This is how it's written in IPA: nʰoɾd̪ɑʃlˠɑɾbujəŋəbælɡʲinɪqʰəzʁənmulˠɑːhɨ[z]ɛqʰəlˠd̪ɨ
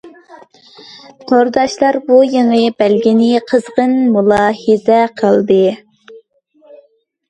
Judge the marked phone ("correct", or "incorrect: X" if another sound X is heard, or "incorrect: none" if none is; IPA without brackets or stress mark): correct